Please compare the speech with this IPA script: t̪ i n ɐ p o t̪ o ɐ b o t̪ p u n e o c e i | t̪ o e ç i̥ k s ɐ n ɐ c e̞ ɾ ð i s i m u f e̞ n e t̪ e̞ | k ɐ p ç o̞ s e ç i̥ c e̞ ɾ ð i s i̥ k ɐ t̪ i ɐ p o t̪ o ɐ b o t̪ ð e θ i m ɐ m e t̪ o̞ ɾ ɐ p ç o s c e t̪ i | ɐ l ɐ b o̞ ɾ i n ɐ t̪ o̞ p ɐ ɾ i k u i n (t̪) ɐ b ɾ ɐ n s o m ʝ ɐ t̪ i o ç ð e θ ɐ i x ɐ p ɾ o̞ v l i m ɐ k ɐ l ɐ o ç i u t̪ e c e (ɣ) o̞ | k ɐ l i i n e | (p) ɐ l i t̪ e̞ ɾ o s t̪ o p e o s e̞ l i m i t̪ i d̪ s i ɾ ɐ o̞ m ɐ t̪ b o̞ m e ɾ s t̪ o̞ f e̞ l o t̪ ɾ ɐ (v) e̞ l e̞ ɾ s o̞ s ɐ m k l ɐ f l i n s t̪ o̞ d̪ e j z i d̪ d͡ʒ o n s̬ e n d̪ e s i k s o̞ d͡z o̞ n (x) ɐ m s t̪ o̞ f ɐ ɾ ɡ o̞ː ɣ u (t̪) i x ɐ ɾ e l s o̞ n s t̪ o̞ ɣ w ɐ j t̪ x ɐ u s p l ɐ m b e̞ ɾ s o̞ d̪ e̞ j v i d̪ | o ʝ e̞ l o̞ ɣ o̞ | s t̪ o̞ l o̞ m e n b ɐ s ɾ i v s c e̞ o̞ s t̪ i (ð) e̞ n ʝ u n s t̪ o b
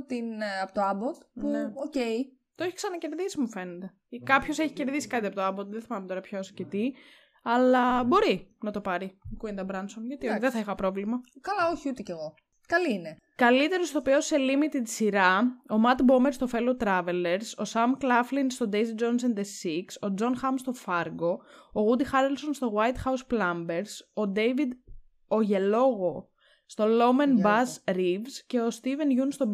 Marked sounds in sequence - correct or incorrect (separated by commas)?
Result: incorrect, correct, incorrect, correct, correct, incorrect, incorrect